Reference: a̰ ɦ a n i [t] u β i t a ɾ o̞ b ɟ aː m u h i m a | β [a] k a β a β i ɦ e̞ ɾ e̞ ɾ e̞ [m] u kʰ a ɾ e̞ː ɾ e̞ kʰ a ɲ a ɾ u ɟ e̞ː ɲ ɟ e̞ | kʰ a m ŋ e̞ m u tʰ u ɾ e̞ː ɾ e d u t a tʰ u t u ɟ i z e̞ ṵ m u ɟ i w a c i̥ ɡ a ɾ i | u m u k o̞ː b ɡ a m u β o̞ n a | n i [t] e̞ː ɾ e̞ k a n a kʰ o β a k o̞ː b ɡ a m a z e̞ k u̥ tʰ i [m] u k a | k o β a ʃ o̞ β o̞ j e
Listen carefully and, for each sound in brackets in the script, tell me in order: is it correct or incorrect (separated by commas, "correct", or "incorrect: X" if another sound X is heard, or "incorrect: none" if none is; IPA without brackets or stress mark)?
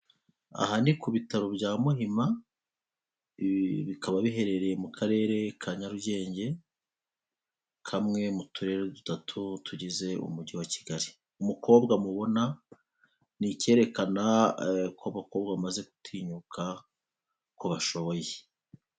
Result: incorrect: k, incorrect: i, correct, incorrect: c, incorrect: ɲ